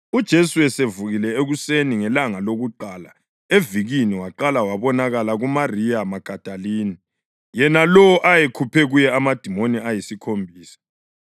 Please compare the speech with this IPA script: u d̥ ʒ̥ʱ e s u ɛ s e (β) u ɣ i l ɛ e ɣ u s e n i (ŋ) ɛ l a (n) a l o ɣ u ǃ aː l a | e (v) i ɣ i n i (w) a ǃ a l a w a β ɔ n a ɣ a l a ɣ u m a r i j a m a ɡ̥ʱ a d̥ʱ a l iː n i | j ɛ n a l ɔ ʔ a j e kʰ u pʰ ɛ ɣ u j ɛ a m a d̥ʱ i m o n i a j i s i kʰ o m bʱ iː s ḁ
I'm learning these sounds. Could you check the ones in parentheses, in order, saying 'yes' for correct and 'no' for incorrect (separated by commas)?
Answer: no, yes, no, yes, yes